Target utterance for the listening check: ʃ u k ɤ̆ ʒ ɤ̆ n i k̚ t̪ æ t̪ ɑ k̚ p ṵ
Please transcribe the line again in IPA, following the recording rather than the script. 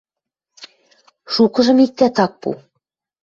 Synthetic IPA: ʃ u k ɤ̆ ʒ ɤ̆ m i k̚ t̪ æ t̪ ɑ k̚ p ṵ